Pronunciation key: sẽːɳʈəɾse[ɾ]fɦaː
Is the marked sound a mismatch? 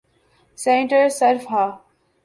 no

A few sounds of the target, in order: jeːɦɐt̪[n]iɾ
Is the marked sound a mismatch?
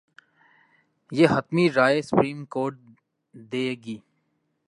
yes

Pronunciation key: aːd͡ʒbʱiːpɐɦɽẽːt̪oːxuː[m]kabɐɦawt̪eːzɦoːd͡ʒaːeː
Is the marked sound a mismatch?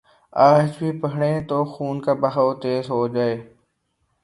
yes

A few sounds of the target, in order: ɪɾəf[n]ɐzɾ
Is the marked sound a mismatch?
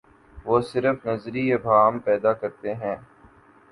no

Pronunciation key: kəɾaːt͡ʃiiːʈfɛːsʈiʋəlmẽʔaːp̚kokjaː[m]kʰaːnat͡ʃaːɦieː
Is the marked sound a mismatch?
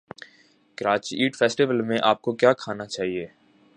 yes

